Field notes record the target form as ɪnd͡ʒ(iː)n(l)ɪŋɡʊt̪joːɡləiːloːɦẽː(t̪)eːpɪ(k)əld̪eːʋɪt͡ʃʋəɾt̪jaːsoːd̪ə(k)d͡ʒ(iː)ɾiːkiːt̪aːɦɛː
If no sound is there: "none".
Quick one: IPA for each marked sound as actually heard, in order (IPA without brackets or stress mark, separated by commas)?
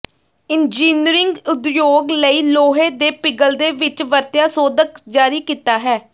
iː, ɾ, d̪, ɡ, k, aː